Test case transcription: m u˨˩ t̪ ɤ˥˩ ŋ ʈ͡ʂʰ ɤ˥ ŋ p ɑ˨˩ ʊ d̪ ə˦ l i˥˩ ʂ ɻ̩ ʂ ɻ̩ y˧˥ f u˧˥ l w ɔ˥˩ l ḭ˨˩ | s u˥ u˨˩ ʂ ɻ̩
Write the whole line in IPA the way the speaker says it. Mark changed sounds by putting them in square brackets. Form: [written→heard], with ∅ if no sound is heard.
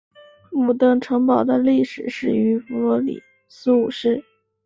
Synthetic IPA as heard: m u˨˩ t̪ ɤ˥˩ ŋ ʈ͡ʂʰ [ɤ˥→ɤ˧˥] ŋ p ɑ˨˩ ʊ d̪ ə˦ l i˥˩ ʂ ɻ̩ ʂ ɻ̩ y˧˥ f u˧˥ l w [ɔ˥˩→ɔ˧˥] l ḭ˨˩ | s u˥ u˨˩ ʂ ɻ̩